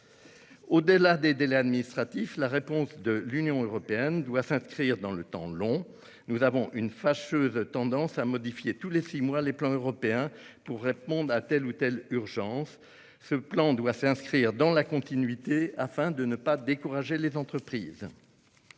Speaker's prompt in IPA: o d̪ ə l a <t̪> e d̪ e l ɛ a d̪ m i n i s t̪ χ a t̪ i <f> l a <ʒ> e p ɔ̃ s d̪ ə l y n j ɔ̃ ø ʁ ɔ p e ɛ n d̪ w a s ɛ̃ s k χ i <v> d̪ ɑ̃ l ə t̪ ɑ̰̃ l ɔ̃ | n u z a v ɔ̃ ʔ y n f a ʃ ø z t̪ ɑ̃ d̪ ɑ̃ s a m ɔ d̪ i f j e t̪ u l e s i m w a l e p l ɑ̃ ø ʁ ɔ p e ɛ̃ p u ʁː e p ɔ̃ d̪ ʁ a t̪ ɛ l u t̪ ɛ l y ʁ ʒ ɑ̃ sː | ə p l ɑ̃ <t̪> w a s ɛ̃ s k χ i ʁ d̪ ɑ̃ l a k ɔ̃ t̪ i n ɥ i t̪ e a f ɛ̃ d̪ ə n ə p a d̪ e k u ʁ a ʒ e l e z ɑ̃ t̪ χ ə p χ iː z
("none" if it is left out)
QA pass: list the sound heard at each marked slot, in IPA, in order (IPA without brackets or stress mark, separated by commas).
d̪, f, ʁ, ʁ, d̪